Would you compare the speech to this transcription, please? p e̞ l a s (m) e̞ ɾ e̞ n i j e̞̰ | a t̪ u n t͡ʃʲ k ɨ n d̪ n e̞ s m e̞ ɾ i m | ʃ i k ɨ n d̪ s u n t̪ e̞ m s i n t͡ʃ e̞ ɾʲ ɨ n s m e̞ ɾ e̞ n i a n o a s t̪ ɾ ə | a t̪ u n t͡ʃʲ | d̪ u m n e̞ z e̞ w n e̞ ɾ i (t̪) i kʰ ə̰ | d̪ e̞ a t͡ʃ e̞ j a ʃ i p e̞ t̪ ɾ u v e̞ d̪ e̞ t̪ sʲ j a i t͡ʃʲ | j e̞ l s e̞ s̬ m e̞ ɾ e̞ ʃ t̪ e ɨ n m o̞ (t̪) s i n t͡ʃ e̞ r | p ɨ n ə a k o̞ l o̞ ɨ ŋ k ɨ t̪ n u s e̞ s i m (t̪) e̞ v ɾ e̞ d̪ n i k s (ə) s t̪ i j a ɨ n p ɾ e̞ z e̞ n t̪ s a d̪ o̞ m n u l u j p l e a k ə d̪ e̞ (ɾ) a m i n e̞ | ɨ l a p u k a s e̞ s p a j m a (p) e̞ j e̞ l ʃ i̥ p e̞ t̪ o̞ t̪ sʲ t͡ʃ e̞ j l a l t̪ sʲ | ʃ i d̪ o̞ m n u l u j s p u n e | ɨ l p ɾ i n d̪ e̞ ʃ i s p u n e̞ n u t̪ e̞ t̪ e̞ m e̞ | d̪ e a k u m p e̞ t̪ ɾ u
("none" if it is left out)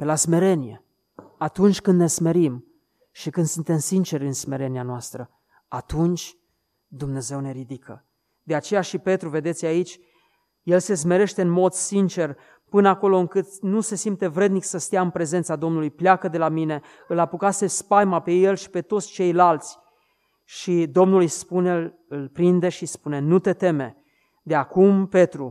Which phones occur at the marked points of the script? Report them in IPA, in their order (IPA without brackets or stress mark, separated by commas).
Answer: m, d̪, d̪, t̪, ə, l, p